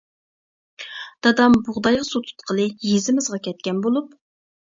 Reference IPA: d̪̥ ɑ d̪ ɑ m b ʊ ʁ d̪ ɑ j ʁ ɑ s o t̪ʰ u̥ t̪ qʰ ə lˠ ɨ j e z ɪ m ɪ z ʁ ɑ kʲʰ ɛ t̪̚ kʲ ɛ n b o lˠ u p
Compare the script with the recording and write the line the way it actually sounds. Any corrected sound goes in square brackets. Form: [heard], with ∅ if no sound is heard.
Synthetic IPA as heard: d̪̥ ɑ d̪ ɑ m b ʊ ʁ d̪ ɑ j ʁ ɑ s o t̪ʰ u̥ t̪ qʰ ə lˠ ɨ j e z ɪ m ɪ z ʁ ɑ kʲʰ ɛ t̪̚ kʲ ɛ n b o lˠ u p